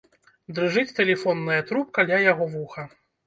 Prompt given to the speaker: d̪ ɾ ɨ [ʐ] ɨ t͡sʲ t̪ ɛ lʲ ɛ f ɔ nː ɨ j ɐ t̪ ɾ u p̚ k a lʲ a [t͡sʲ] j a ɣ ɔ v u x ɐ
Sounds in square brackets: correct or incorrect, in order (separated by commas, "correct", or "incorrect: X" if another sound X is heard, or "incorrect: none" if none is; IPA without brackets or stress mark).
correct, incorrect: none